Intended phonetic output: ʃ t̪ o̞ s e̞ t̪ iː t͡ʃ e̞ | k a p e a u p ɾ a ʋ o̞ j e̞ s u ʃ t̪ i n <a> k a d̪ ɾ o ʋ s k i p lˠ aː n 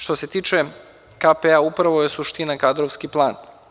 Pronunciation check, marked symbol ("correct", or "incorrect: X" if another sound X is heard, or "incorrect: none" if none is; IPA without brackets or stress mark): correct